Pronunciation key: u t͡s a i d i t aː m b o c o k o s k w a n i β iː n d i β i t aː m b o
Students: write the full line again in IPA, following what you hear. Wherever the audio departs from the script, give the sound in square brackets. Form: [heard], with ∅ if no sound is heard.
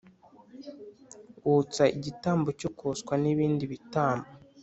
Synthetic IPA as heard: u t͡s a i [ɟ] i t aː m b o c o k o s k w a n i β iː n d i β i t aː m b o